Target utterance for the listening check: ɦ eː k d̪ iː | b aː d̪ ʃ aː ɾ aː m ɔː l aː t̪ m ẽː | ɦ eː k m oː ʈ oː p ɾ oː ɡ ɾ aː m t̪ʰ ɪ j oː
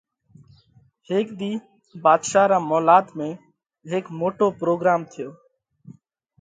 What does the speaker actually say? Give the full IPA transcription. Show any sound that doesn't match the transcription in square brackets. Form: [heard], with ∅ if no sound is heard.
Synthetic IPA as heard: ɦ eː k d̪ iː | b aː d̪ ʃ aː ɾ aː m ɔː l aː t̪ m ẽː | ɦ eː k m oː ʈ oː p ɾ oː ɡ ɾ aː m t̪ʰ ɪ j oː